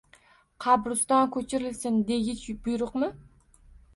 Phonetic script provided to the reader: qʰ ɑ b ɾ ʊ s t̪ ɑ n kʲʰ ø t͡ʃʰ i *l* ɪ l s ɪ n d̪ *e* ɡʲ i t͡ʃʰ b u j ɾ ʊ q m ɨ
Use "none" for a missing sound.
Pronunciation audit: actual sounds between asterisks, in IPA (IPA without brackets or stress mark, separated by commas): ɾ, e